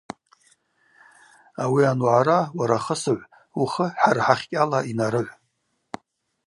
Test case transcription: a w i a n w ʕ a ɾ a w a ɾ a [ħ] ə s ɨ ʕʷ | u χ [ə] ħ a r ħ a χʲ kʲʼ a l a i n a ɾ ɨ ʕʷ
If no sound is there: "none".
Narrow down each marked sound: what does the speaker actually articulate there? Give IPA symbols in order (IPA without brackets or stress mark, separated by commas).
χ, ə